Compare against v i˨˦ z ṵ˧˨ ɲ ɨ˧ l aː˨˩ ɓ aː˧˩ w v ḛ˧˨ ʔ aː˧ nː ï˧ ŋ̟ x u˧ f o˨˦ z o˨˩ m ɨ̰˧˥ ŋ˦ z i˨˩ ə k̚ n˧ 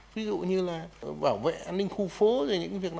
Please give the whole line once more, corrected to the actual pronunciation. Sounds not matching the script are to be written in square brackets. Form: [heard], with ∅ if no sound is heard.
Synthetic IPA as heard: v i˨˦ z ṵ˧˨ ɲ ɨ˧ l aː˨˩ ɓ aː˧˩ w v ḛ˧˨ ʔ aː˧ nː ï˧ ŋ̟ x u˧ f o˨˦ z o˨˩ [ɲ] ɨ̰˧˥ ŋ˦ [v] i˨˩ ə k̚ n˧